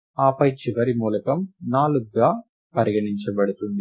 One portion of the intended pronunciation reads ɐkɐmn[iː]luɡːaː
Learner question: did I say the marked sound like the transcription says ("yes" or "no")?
no